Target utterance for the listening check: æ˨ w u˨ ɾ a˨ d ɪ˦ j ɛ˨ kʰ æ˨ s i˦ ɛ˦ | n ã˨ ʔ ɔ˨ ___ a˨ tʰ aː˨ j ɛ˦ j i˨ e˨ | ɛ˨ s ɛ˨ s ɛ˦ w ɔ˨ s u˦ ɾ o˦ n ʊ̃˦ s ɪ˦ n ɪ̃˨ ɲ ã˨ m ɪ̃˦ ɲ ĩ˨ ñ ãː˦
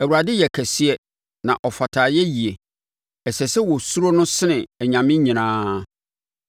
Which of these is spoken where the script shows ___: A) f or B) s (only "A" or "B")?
A